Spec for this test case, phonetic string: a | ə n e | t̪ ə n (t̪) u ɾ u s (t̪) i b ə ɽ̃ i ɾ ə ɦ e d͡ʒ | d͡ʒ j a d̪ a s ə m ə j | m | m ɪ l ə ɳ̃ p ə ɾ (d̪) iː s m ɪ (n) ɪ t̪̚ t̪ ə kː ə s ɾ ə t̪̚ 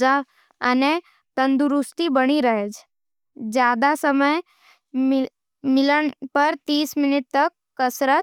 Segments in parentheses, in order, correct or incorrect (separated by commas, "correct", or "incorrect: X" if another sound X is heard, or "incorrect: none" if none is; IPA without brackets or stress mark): incorrect: d̪, correct, incorrect: t̪, correct